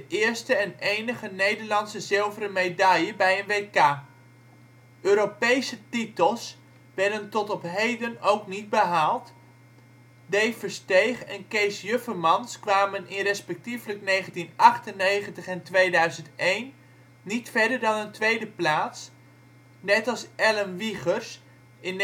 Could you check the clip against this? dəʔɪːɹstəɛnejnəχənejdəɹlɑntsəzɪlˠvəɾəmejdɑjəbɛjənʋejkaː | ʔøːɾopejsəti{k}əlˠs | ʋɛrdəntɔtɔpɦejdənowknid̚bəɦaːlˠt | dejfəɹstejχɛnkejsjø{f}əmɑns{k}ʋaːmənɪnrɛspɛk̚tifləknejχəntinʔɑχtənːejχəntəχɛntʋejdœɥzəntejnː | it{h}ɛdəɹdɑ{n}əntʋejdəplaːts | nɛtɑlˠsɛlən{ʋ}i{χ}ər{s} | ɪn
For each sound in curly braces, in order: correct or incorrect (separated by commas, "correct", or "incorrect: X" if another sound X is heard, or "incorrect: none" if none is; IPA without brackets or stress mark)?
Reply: incorrect: t, correct, correct, incorrect: f, correct, correct, correct, correct